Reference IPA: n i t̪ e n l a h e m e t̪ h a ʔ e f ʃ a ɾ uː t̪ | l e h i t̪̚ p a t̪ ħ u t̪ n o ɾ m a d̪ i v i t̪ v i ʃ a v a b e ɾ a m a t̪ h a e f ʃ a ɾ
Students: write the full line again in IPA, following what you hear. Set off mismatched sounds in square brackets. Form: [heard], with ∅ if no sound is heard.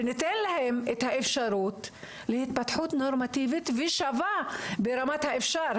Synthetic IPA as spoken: n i t̪ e n l a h e m e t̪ h a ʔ e f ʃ a ɾ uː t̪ | l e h i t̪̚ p a t̪ ħ u t̪ n o ɾ m a [t̪] i v i t̪ v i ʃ a v a b e ɾ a m a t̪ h a e f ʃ a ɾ